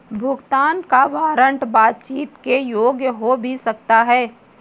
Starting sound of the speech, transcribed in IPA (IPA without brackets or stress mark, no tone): bʱ